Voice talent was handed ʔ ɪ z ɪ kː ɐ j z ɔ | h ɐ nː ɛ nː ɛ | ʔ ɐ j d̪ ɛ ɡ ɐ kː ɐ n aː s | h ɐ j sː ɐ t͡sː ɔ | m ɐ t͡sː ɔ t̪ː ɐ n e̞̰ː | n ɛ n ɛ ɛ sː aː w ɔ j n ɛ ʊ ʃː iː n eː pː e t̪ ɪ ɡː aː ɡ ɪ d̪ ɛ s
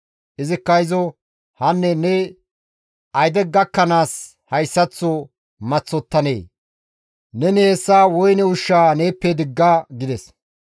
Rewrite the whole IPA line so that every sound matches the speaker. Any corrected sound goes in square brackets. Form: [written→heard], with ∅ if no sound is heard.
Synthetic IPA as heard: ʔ ɪ z ɪ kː ɐ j z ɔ | h ɐ nː ɛ [nː→n] ɛ | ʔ ɐ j d̪ ɛ ɡ ɐ kː ɐ n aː s | h ɐ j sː ɐ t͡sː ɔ | m ɐ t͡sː ɔ t̪ː ɐ n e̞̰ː | n ɛ n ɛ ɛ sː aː w ɔ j n ɛ ʊ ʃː [iː→aː] n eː pː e [t̪→d̪] ɪ ɡː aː ɡ ɪ d̪ ɛ s